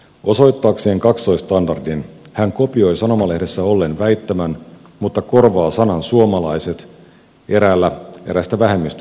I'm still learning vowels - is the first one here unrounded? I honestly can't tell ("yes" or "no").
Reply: no